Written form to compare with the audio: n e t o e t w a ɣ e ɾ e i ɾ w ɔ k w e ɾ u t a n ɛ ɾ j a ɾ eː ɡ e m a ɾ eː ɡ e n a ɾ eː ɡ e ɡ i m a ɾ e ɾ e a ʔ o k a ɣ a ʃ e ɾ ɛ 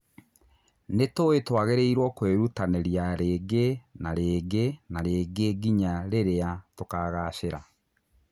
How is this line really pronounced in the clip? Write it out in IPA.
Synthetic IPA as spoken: n e t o e t w a ɣ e ɾ e i ɾ w ɔ k w e ɾ u t a n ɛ ɾ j a ɾ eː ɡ e n a ɾ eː ɡ e n a ɾ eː ɡ e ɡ i ɲ a ɾ e ɾ e a t o k a ɣ a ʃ e ɾ a